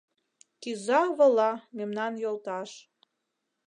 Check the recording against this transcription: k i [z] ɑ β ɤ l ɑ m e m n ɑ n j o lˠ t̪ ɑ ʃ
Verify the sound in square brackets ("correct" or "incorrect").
correct